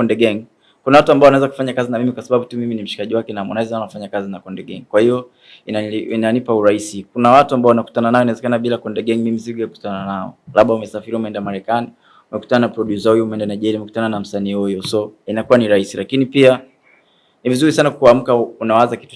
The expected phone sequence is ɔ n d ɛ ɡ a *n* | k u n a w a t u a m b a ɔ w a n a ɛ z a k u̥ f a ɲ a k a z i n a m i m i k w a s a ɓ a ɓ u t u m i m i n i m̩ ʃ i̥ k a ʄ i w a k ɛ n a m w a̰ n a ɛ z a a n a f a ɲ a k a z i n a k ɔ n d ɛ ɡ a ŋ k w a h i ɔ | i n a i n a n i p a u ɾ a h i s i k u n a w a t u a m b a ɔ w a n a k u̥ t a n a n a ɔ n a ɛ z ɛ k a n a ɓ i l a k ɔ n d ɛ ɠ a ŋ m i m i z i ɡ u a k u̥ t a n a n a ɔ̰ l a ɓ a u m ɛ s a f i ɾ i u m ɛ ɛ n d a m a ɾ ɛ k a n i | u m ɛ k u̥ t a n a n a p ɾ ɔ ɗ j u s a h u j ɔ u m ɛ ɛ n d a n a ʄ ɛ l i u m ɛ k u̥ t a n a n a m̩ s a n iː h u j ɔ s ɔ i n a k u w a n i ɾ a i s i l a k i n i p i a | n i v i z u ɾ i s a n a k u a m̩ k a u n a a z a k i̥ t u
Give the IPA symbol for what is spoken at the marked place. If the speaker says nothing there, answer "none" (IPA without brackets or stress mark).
ŋ